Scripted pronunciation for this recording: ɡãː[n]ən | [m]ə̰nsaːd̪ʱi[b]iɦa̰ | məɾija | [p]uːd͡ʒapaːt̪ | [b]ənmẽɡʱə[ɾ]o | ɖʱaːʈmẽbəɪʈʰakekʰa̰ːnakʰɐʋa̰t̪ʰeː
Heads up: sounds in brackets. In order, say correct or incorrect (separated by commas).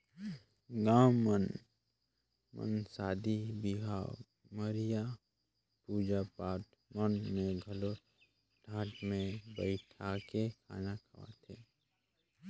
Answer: incorrect, correct, correct, correct, incorrect, incorrect